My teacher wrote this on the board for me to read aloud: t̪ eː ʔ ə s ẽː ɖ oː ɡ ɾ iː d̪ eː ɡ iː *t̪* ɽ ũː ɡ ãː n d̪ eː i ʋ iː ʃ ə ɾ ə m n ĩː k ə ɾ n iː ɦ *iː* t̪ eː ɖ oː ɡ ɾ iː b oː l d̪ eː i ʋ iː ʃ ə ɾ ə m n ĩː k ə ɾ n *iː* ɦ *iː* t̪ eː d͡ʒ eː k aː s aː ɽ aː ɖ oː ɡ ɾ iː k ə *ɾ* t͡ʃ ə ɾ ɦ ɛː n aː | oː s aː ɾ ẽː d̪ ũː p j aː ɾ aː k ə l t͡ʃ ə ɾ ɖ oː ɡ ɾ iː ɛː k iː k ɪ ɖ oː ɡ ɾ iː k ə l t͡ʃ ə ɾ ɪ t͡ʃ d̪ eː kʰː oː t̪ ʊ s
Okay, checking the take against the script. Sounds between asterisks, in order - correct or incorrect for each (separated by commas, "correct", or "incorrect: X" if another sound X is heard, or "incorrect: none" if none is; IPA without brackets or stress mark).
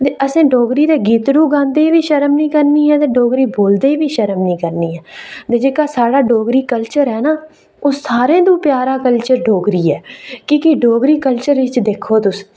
correct, incorrect: ɛː, correct, incorrect: ɛː, incorrect: l